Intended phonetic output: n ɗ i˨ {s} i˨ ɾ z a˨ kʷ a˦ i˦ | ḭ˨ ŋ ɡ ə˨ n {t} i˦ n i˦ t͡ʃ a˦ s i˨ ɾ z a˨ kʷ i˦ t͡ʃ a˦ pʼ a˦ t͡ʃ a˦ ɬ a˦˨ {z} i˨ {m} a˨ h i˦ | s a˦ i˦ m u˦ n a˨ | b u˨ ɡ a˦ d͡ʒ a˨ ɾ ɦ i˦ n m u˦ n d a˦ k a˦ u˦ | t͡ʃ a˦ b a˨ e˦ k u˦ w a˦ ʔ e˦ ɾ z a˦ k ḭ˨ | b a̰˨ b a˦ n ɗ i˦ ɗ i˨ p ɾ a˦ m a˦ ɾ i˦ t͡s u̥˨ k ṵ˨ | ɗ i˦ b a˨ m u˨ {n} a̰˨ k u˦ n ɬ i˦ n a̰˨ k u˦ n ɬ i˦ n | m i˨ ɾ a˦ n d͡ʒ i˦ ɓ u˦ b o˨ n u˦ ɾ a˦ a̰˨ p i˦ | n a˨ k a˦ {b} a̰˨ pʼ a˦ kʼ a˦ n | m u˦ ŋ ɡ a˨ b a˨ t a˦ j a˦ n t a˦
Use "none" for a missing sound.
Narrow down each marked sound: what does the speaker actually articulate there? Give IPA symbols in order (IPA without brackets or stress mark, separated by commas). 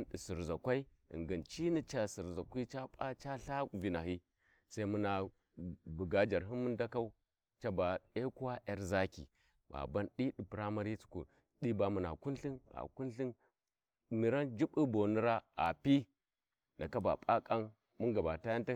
s, t͡ʃ, v, n, n, b